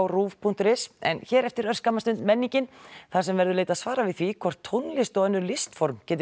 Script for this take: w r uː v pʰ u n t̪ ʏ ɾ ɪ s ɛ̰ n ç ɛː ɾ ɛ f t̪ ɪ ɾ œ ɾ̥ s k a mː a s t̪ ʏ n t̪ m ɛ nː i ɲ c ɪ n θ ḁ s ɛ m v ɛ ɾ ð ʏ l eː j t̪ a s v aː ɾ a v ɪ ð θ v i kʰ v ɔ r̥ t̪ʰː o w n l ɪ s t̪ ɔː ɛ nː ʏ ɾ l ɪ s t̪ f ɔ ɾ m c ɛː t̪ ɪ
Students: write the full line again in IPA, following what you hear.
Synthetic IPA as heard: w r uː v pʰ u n t̪ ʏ ɾ ɪ s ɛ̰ n ç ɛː ɾ ɛ f t̪ ɪ ɾ œ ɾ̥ s k a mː a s t̪ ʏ n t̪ m ɛ nː i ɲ c ɪ n θ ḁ s ɛ m v ɛ ɾ ð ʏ l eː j t̪ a s v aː ɾ a v ɪ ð θ v i kʰ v ɔ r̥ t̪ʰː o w n l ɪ s t̪ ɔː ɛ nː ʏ ɾ l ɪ s t̪ f ɔ ɾ m c ɛː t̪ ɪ